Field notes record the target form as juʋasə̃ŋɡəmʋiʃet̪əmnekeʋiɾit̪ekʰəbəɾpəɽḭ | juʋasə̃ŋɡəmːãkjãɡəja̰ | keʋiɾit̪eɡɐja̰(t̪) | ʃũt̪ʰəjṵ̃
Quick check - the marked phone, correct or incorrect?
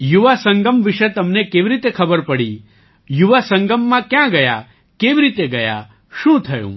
incorrect